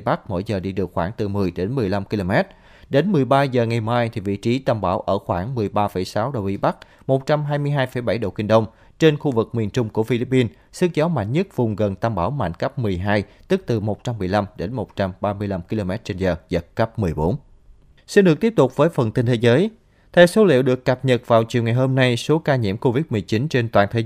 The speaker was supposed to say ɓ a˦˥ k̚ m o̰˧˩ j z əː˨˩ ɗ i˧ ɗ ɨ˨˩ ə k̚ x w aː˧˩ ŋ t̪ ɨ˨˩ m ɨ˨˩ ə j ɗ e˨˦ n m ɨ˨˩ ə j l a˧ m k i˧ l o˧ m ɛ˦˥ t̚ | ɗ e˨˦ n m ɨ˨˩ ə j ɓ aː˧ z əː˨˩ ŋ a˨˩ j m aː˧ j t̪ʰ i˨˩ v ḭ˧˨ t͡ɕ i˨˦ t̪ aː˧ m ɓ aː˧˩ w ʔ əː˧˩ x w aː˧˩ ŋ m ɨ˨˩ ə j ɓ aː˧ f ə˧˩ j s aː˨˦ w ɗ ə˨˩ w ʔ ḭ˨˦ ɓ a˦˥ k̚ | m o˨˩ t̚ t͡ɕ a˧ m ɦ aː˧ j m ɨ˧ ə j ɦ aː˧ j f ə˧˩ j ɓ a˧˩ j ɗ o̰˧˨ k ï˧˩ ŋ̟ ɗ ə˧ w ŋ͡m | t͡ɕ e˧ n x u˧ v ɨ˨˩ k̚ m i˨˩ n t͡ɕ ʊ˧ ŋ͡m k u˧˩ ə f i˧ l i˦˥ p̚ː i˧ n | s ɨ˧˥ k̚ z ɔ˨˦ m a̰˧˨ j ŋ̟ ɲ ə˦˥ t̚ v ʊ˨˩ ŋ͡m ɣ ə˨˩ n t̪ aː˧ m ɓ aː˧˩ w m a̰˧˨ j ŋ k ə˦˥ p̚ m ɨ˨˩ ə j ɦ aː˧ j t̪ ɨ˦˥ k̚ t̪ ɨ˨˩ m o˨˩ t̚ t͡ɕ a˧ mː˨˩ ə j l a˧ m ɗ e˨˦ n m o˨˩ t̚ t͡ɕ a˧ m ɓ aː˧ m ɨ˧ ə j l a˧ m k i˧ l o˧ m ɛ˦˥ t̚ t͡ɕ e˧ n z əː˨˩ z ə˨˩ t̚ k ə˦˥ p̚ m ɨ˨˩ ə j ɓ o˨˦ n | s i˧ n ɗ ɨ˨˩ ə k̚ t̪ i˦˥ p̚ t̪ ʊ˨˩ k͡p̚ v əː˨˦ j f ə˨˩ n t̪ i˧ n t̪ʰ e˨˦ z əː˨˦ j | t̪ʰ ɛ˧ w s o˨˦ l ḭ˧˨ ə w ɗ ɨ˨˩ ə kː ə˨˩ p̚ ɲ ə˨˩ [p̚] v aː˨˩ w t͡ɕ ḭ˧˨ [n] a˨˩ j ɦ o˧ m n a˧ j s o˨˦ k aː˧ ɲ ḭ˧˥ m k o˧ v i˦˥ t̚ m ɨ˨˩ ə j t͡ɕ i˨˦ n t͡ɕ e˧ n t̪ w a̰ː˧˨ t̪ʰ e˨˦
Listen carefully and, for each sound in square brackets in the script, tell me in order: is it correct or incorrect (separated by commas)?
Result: incorrect, incorrect